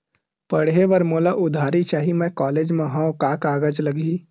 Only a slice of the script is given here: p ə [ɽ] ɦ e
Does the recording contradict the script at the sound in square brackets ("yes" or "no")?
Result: no